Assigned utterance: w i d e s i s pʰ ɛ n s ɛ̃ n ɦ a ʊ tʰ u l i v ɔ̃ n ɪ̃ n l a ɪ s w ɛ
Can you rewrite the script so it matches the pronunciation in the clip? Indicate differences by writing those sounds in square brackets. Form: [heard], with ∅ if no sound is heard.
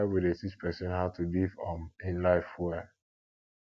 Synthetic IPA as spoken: w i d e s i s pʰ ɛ [∅] s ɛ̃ n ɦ a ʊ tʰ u l i v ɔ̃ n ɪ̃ n l a ɪ [f] w ɛ